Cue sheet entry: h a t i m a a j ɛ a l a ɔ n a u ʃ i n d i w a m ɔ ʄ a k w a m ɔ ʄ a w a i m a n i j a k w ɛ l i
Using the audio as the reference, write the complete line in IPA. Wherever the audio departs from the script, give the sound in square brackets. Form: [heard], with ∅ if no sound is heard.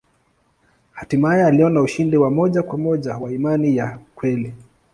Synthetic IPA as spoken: h a t i m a a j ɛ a l [i] ɔ n a u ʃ i n d i w a m ɔ ʄ a k w a m ɔ ʄ a w a i m a n i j a k w ɛ l i